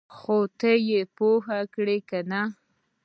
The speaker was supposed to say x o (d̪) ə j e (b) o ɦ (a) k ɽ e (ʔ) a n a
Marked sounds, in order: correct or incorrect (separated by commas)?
incorrect, incorrect, correct, incorrect